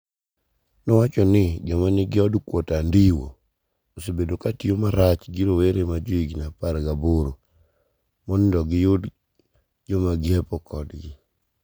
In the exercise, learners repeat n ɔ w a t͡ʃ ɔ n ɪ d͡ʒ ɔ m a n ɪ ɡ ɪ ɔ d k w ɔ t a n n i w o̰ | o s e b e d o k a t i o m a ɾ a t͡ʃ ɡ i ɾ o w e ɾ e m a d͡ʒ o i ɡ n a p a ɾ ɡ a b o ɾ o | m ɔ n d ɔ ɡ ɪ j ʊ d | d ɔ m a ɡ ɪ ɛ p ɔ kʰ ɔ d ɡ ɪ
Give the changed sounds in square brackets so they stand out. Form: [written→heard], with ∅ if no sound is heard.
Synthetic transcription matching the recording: n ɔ w a t͡ʃ ɔ n ɪ d͡ʒ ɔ m a n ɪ ɡ ɪ ɔ d k w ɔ t a n [n→d] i w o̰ | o s e b e d o k a t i o m a ɾ a t͡ʃ ɡ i ɾ o w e ɾ e m a d͡ʒ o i ɡ n a p a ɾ ɡ a b o ɾ o | m ɔ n d ɔ ɡ ɪ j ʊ d | [d→d͡ʒ] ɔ m a ɡ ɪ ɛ p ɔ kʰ ɔ d ɡ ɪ